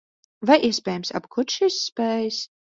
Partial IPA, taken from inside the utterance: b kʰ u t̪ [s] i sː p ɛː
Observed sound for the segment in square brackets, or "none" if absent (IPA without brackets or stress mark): ʃ